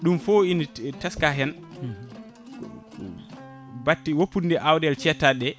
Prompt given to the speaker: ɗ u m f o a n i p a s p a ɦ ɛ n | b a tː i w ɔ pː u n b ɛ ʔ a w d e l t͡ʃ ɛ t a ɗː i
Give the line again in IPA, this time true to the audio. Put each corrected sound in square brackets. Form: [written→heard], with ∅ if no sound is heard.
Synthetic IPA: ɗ u m f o [a→i] n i [p→t] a s [p→k] a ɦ ɛ n | b a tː i w [ɔ→o] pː u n [b→d] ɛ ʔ a w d [e→ɛ] l t͡ʃ ɛ t a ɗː [i→ɛ]